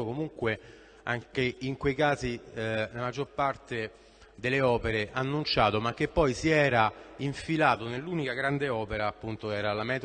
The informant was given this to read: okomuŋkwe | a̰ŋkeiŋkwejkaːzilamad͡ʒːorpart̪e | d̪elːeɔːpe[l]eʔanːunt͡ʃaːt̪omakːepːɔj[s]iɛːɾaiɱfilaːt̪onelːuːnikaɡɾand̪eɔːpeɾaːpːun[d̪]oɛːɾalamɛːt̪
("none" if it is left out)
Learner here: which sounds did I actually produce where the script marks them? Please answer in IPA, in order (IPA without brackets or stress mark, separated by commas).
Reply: ɾ, s, t̪